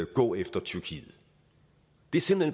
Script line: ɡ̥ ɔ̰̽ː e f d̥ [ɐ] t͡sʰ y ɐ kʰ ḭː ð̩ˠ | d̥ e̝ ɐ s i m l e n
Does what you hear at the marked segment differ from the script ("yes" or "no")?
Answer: no